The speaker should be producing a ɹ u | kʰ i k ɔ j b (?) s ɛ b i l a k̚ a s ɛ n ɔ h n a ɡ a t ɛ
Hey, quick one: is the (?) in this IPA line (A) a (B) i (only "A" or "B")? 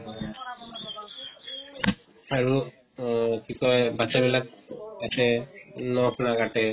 A